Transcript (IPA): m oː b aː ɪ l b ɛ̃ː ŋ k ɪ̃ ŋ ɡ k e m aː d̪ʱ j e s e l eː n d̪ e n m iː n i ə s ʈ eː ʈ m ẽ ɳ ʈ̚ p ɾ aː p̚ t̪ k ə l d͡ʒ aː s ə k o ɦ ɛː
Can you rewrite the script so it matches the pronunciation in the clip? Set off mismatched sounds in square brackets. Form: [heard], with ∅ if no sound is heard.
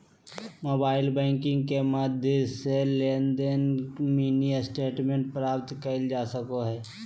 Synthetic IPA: m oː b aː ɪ l b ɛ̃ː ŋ k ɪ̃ ŋ ɡ k e m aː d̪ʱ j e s e l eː n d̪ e n m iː n i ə s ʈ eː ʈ m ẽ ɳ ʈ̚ p ɾ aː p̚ t̪ k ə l d͡ʒ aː s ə k o ɦ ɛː